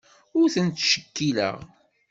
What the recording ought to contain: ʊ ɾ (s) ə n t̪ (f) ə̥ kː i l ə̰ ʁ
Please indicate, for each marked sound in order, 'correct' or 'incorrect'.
incorrect: θ, incorrect: ʃ

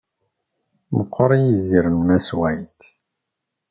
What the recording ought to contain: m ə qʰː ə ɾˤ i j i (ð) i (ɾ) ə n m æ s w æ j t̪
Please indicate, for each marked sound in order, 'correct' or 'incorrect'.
incorrect: z, correct

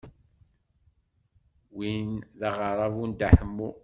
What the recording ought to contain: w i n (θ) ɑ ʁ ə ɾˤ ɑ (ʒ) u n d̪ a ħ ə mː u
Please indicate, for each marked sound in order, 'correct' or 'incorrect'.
incorrect: ð, incorrect: v

